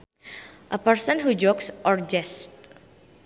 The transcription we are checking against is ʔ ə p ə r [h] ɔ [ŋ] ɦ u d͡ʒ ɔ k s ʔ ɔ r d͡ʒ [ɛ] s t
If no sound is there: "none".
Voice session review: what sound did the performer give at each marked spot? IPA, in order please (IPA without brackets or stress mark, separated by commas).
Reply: s, n, ɛ